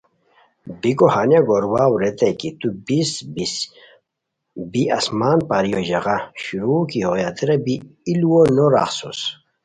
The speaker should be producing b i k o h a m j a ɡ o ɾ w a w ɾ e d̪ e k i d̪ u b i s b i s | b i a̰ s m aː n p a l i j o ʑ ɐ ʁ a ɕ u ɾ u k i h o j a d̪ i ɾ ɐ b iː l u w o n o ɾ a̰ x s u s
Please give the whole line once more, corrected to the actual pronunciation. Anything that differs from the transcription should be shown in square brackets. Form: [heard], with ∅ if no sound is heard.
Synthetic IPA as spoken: b i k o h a [n] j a ɡ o ɾ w a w ɾ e [t̪] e k i [t̪] u b i s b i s | b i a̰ s m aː n p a [ɾ] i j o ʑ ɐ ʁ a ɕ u ɾ u k i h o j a [t̪] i ɾ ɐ b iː l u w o n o ɾ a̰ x s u s